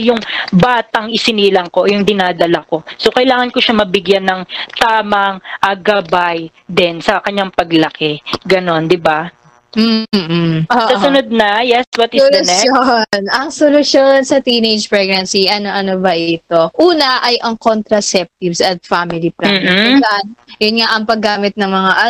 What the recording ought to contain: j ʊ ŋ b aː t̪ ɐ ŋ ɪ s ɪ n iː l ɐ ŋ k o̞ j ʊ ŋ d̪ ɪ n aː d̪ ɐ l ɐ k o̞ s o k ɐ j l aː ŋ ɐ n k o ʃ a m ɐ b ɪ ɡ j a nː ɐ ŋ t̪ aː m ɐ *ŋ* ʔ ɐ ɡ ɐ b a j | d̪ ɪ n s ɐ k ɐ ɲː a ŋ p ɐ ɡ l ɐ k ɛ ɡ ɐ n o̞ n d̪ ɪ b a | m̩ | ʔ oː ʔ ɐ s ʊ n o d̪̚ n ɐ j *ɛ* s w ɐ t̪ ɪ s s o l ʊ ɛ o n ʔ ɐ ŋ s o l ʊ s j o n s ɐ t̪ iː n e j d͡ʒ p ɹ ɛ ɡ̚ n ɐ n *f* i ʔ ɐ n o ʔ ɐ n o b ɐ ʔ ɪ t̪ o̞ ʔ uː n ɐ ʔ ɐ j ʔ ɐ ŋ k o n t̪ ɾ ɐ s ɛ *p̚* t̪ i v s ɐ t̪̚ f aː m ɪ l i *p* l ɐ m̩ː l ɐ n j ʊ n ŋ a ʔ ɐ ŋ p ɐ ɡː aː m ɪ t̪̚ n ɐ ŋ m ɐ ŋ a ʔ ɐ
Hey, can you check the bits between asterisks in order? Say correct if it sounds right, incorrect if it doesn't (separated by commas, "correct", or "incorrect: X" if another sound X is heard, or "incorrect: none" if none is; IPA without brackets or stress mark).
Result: correct, correct, incorrect: s, correct, correct